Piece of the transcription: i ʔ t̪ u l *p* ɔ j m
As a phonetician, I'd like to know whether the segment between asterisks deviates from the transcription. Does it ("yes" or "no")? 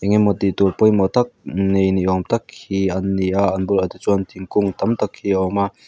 no